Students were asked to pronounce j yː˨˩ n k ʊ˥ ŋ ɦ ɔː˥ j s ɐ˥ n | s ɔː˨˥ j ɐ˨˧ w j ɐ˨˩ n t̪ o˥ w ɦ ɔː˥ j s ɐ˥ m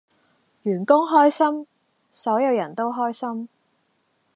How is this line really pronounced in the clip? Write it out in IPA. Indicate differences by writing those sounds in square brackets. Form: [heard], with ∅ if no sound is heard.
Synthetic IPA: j yː˨˩ n k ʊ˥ ŋ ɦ ɔː˥ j s ɐ˥ [m] | s ɔː˨˥ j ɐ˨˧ w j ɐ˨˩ n t̪ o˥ w ɦ ɔː˥ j s ɐ˥ m